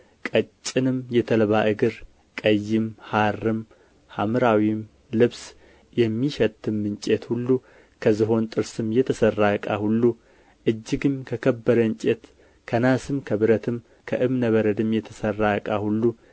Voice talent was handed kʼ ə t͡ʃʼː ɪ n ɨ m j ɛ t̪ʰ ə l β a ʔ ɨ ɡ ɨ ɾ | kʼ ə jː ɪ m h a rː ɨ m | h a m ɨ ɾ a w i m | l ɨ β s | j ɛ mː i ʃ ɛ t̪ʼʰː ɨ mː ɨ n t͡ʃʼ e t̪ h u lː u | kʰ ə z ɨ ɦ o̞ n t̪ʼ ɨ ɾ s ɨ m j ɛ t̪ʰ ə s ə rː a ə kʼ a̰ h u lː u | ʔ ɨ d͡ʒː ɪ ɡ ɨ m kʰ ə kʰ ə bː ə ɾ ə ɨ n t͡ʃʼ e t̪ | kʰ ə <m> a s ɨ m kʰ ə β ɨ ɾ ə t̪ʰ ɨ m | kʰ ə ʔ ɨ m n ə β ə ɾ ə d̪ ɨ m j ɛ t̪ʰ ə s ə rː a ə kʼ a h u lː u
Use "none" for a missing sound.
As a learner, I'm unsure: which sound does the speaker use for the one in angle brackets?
n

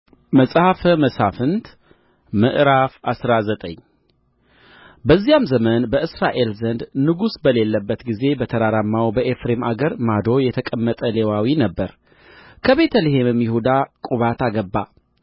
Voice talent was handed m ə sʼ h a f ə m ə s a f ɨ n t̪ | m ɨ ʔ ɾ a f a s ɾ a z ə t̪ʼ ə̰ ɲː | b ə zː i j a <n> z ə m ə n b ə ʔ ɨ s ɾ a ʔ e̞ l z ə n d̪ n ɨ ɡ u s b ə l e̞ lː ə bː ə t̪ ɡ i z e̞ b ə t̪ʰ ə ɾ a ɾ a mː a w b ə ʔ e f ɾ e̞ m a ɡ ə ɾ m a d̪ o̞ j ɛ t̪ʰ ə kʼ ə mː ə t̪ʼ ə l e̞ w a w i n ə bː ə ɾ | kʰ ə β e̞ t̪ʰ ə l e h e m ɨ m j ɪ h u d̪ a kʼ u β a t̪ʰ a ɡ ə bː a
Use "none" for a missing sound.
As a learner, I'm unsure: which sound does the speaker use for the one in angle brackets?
m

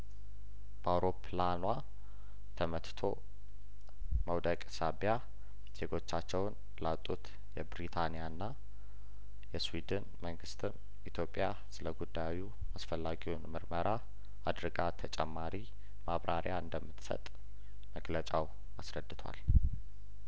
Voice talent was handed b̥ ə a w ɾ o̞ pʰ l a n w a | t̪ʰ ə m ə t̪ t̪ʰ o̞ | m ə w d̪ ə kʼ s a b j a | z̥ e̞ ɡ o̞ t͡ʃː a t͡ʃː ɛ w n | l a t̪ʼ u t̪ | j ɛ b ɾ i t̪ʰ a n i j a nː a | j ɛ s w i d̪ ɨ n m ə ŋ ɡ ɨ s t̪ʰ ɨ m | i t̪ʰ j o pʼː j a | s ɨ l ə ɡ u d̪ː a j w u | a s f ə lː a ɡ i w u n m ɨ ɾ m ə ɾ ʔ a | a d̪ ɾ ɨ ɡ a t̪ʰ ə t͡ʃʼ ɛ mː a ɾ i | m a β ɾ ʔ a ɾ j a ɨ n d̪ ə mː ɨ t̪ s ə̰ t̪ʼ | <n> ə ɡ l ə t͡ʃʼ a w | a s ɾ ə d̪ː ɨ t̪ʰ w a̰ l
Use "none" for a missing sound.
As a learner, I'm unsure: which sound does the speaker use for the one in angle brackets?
m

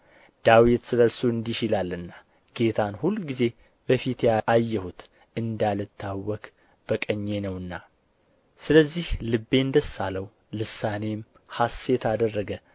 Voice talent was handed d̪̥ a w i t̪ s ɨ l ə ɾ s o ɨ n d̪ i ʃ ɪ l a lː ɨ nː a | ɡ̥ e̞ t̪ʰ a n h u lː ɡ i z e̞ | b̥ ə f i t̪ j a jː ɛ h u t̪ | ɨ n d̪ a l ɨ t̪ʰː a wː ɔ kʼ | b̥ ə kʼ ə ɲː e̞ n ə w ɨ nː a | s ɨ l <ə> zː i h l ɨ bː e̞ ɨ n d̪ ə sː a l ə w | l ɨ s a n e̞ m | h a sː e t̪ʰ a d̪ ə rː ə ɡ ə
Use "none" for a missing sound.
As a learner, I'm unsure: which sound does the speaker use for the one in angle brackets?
ə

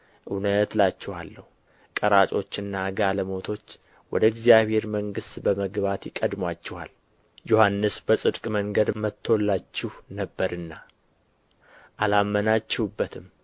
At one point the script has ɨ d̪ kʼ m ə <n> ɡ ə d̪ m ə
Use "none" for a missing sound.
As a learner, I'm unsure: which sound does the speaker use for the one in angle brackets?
ŋ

